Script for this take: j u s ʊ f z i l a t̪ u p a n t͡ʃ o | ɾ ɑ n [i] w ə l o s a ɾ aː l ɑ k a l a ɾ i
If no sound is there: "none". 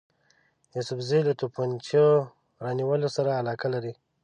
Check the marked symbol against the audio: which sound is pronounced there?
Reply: i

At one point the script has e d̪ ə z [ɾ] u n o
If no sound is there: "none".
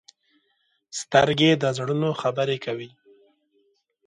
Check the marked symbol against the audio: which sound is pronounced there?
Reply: ɽ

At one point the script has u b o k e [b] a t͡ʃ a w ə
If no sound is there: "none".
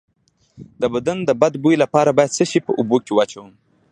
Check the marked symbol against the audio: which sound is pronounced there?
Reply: w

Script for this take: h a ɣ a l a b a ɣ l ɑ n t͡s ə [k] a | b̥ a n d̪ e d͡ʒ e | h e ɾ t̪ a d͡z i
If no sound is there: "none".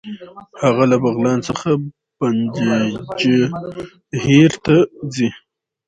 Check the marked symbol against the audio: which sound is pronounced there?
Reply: x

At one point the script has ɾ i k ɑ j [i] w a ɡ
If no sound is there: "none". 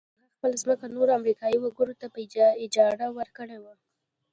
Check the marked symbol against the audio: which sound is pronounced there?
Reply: i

